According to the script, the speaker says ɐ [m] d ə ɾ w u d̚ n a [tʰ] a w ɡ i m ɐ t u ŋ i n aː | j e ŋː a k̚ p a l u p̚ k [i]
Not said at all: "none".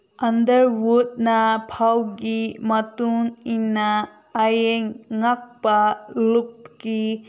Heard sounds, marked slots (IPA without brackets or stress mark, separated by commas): n, pʰ, i